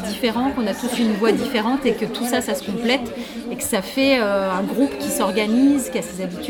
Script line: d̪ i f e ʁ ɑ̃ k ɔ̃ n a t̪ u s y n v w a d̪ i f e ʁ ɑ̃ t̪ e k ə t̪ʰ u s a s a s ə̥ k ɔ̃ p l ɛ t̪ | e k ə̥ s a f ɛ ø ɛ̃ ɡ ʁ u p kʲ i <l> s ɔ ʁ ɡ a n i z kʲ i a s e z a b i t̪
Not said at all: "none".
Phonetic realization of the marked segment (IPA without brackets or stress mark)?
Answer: none